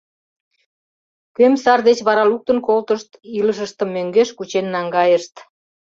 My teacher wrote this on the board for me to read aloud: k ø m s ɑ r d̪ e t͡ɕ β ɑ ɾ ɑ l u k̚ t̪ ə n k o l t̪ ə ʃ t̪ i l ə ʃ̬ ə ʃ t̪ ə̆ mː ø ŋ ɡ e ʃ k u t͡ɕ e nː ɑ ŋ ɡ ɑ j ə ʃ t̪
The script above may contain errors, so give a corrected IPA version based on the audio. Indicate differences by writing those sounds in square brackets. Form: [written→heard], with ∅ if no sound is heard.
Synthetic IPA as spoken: k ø m s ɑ r d̪ e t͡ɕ β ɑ ɾ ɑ l u k̚ t̪ ə n k o l t̪ ə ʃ t̪ i l ə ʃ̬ ə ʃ t̪ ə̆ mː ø ŋ ɡ e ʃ k u t͡ɕ e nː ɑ ŋ ɡ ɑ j ə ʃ t̪